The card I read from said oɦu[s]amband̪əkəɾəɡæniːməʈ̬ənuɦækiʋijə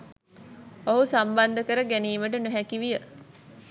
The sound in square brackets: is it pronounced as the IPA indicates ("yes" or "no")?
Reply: yes